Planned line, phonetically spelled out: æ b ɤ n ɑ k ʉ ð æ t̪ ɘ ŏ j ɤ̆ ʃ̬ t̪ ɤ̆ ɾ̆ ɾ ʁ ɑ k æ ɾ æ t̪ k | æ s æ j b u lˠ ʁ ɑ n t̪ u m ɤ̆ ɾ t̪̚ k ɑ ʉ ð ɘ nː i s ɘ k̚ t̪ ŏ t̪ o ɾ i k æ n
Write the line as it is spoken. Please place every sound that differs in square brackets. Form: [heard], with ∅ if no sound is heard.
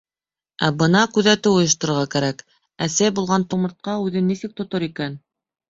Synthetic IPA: æ b ɤ n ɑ k ʉ ð æ t̪ ɘ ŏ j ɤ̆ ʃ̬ t̪ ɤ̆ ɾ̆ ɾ ʁ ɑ k æ ɾ æ [∅] k | æ s æ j b u lˠ ʁ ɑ n t̪ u m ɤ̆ ɾ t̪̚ [q] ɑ ʉ ð ɘ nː i s ɘ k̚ t̪ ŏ t̪ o ɾ i k æ n